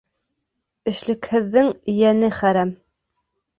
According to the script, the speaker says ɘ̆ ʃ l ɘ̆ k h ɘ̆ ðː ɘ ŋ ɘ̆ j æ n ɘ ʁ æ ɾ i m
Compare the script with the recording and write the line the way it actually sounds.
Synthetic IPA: ɘ̆ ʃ l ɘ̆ k h ɘ̆ ðː ɘ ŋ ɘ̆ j æ n ɘ χ æ ɾ æ m